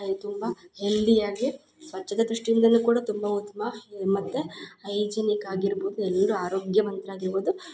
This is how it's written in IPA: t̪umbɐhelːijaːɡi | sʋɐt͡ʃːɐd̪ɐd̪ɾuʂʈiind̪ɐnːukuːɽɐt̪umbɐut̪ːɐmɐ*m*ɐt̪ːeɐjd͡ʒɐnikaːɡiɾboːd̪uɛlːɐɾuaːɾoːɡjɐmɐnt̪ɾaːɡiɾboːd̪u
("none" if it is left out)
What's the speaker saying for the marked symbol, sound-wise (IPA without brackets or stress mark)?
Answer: m